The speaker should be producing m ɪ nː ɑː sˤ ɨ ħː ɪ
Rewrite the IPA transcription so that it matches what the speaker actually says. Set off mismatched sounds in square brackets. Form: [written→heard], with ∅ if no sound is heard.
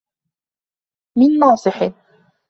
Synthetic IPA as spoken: m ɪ nː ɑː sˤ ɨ [ħː→ħ] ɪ